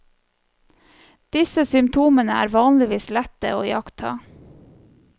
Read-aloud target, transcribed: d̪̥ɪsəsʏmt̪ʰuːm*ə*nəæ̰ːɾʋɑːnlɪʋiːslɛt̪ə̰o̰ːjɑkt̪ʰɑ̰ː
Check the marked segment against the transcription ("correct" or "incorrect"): correct